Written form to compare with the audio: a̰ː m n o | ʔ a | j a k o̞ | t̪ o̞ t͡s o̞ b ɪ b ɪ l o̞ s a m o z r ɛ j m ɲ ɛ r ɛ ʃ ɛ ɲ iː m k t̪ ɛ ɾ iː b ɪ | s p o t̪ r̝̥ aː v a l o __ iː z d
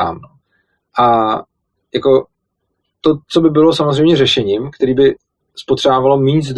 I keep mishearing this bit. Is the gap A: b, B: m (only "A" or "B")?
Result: B